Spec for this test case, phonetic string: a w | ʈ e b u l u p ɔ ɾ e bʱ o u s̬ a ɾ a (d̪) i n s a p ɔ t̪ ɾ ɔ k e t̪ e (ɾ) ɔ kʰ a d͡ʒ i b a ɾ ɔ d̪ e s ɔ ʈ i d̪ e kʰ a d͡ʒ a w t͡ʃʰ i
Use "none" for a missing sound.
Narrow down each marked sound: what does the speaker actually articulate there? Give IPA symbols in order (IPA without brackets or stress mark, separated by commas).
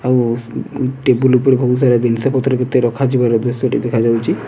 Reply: d̪, ɾ